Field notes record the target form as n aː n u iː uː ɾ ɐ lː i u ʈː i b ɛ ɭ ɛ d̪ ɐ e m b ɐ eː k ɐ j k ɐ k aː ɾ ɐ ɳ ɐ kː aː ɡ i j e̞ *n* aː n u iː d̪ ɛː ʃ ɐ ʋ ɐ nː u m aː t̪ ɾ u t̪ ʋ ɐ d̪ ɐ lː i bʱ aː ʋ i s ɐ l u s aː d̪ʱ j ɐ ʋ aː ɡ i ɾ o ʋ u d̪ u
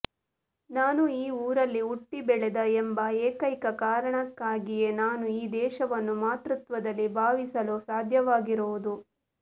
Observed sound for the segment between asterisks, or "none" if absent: n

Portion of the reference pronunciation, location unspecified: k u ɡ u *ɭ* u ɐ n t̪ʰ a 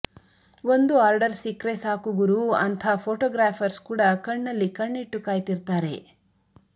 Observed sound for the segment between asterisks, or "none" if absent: ɾ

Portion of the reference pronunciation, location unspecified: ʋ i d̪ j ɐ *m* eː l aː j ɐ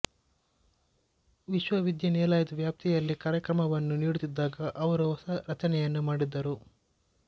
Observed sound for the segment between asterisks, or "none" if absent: n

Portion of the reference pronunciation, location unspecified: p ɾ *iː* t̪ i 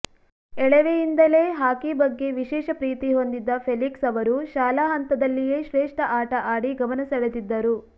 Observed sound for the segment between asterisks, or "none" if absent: iː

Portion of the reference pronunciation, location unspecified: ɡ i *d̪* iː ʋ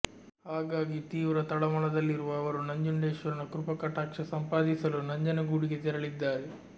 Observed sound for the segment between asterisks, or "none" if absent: t̪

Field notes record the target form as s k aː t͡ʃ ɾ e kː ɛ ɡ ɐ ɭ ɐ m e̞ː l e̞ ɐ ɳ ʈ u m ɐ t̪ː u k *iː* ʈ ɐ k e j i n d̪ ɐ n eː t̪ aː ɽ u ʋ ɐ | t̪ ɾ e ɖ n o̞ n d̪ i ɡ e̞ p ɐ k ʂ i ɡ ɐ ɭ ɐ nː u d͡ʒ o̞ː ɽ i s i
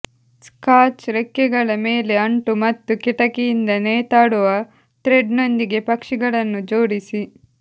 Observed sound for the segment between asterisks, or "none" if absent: i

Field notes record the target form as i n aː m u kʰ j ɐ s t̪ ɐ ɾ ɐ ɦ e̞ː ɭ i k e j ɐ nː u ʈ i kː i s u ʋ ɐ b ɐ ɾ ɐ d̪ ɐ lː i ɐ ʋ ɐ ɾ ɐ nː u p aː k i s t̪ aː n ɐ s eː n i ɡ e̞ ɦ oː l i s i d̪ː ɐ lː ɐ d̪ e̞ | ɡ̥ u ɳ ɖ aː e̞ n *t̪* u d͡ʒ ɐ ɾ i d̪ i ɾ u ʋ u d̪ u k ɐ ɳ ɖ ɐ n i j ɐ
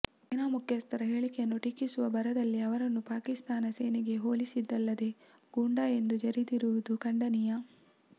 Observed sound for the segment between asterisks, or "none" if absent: d̪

